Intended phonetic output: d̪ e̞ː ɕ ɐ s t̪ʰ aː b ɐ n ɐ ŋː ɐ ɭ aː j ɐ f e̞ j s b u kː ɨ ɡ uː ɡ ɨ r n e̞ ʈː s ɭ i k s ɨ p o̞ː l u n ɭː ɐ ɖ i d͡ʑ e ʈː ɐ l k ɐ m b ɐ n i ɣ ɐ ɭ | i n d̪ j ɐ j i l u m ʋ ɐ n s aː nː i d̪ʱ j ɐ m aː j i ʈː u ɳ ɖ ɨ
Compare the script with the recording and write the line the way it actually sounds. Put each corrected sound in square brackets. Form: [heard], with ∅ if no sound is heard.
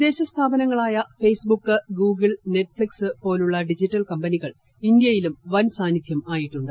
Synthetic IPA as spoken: d̪ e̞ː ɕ ɐ s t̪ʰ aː b ɐ n ɐ ŋː ɐ ɭ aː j ɐ f e̞ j s b u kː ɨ ɡ uː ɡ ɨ [ɭ] n e̞ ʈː [f] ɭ i k s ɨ p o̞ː l u [∅] ɭː ɐ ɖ i d͡ʑ [i] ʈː ɐ l k ɐ m b ɐ n i ɣ ɐ ɭ | i n d̪ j ɐ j i l u m ʋ ɐ n s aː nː i d̪ʱ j ɐ m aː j i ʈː u ɳ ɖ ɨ